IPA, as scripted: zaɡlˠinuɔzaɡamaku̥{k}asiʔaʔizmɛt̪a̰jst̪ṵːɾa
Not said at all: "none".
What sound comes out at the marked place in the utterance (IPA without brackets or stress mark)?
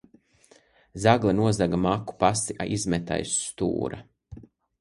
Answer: p